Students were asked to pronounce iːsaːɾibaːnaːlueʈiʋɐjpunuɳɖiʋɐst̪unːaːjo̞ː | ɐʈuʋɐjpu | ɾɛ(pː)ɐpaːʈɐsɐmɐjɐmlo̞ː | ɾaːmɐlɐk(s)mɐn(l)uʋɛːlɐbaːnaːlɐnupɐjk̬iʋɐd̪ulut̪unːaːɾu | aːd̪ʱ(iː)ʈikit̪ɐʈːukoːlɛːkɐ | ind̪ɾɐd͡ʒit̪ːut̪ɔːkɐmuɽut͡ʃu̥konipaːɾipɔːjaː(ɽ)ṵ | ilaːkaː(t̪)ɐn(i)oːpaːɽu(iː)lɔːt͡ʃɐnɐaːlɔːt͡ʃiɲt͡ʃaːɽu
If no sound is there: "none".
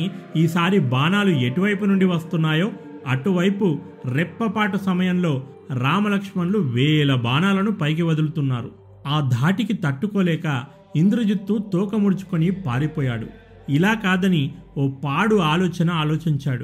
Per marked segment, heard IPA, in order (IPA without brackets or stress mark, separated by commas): pː, ʂ, l, aː, ɽ, d̪, i, aː